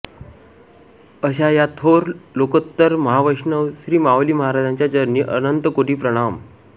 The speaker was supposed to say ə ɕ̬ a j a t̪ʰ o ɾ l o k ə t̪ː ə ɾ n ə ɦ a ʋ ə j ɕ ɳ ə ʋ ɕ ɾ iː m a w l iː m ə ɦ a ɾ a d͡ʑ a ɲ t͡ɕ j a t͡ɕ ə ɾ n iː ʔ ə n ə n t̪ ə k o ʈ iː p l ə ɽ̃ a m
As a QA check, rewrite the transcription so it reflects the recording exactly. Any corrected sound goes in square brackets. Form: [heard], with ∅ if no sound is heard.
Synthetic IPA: ə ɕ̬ a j a t̪ʰ o ɾ l o k ə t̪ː ə ɾ [m] ə ɦ a ʋ ə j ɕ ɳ ə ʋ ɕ ɾ iː m a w l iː m ə ɦ a ɾ a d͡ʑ a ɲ t͡ɕ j a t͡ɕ ə ɾ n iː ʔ ə n ə n t̪ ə k o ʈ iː p [ɾ] ə ɽ̃ a m